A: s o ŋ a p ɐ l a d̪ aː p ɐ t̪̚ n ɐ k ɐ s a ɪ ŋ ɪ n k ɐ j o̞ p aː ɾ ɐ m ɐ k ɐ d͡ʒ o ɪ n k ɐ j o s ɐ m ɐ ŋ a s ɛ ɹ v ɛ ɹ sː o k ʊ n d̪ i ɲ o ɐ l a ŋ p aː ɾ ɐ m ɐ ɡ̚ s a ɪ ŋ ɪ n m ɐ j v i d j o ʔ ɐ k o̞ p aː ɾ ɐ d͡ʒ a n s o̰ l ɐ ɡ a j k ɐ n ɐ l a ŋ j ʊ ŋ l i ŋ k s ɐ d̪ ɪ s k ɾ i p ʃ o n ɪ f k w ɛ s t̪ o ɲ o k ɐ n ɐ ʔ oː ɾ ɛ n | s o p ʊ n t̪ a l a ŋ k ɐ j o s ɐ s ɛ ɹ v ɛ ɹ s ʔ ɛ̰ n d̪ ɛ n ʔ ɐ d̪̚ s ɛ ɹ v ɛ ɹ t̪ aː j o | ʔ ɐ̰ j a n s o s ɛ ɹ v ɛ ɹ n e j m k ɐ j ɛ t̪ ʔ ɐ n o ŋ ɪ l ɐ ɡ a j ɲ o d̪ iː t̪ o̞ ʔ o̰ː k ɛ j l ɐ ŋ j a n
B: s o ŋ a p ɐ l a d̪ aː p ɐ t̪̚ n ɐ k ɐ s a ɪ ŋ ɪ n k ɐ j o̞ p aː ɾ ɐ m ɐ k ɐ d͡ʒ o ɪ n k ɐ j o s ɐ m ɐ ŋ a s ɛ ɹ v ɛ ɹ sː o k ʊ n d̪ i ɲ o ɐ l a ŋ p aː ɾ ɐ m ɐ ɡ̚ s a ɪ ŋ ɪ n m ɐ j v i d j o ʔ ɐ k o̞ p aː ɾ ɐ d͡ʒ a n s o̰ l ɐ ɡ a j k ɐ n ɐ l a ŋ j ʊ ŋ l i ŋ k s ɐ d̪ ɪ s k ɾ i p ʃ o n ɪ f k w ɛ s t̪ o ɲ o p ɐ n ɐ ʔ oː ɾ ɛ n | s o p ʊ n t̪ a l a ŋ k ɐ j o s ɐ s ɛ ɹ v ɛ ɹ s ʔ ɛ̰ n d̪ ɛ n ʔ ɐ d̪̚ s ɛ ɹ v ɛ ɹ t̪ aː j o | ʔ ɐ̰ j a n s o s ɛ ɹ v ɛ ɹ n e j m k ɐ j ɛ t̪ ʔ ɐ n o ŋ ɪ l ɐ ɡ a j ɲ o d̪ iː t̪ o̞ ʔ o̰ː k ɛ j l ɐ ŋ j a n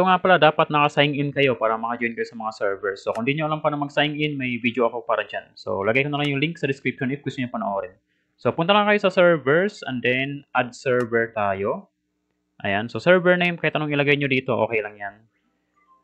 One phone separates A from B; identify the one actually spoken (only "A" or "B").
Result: B